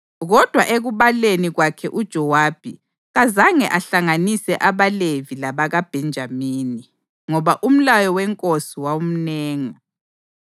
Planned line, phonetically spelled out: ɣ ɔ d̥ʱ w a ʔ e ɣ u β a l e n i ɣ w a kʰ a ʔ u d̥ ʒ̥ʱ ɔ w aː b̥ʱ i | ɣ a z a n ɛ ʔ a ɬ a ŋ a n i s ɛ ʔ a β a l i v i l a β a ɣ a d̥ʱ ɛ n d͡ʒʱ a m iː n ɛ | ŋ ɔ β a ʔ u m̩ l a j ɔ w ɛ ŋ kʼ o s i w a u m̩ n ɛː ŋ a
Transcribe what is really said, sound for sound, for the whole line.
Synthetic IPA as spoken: ɣ ɔ d̥ʱ w a ʔ e ɣ u β a l e n i ɣ w a kʰ ɛ ʔ u d̥ ʒ̥ʱ ɔ w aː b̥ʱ i | ɣ a z a ŋ ɛ ʔ a ɬ a ŋ a n i s ɛ ʔ a β a l e v i l a β a ɣ a b̥ʱ ɛ n d͡ʒʱ a m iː n i | ŋ ɔ β a ʔ u m̩ l a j ɔ w ɛ ŋ kʼ o s i w a u m̩ n ɛː ŋ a

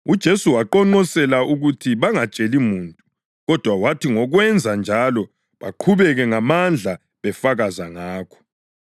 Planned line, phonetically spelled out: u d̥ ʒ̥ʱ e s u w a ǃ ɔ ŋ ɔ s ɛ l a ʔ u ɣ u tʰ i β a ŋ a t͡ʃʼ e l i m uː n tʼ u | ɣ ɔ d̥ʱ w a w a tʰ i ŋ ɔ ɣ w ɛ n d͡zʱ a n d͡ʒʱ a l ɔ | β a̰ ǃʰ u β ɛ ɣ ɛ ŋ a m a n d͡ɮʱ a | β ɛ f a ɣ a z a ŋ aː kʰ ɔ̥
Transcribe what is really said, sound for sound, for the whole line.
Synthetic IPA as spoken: u d̥ ʒ̥ʱ e s u w a ǃ ɔ ŋ͡ǃ ɔ s ɛ l a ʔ u ɣ u tʰ i β a ŋ a t͡ʃʼ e l i m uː n tʼ u | ɣ ɔ d̥ʱ w a w a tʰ i ŋ ɔ ɣ w ɛ n d͡zʱ a n d͡ʒʱ a l ɔ | β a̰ ǃʰ u β ɛ ɣ ɛ ŋ a m a n d͡ɮʱ a | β ɛ f a ɣ a z a ŋ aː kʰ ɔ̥

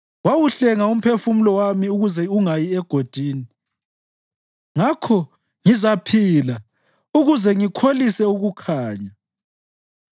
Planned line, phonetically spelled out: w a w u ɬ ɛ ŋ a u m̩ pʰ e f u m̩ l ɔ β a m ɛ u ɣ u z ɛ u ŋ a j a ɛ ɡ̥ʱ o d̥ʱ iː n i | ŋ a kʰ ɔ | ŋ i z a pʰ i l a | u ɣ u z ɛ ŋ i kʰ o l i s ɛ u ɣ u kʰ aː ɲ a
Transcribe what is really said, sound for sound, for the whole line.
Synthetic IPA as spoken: w a w u ɬ ɛ ŋ a u m̩ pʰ e f u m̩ l ɔ w a m i u ɣ u z ɛ u ŋ a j i ɛ ɡ̥ʱ o d̥ʱ iː n i | ŋ a kʰ ɔ | ŋ i z a pʰ i l a | u ɣ u z ɛ ŋ i kʰ o l i s ɛ u ɣ u kʰ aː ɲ a

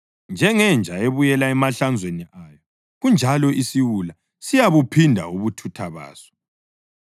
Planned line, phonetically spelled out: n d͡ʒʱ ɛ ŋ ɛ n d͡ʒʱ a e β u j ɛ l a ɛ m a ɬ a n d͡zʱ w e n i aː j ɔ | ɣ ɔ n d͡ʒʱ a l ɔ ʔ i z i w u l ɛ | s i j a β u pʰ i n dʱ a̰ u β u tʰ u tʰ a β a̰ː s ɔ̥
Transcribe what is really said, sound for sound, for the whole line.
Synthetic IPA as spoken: n d͡ʒʱ ɛ ŋ ɛ n d͡ʒʱ a e β u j ɛ l a ɛ m a ɬ a n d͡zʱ w e n i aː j ɔ | ɣ u n d͡ʒʱ a l ɔ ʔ i s i w u l a | s i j a β u pʰ i n dʱ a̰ u β u tʰ u tʰ a β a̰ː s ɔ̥

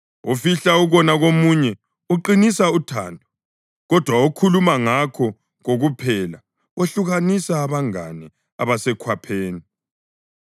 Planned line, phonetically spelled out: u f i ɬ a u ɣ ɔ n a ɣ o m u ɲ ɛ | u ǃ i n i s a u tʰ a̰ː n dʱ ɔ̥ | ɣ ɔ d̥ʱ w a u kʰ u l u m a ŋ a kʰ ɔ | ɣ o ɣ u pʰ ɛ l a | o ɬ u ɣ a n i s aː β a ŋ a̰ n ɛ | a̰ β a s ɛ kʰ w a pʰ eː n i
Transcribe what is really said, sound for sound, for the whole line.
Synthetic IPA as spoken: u f i ɬ a u ɣ ɔ n a ɣ o m u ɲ ɛ | u ǃ i n i s a u tʰ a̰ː n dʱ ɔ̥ | ɣ ɔ d̥ʱ w a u kʰ u l u m a ŋ a kʰ ɔ | ɣ o ɣ u pʰ ɛ l a | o ɬ u ɣ a n i s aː β a ŋ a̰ n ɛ | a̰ β a s ɛ kʰ w a pʰ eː n i

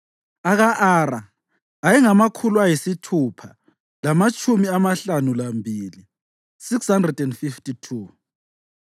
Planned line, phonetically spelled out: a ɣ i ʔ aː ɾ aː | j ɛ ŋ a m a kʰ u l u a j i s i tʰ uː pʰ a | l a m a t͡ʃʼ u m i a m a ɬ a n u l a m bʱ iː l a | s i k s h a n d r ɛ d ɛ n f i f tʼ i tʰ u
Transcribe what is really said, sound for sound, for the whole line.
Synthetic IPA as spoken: a ɣ a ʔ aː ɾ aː | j ɛ ŋ a m a kʰ u l u a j i s i tʰ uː pʰ a | l a m a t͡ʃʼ u m i a m a ɬ a n u l a m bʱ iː l i | s i k s h a n d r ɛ d ɛ n f i f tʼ i tʰ u

